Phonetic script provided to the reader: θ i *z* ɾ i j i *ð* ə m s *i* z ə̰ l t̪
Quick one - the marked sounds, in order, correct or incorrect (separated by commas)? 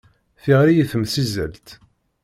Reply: incorrect, incorrect, correct